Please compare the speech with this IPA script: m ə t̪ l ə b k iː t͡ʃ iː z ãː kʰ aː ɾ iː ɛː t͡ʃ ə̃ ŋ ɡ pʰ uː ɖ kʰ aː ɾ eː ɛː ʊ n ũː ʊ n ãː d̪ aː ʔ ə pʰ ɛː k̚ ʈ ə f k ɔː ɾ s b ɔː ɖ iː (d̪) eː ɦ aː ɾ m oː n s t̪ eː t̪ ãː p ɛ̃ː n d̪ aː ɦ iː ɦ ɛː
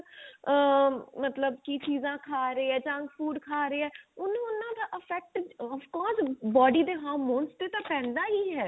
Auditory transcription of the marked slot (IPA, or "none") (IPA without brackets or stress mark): d̪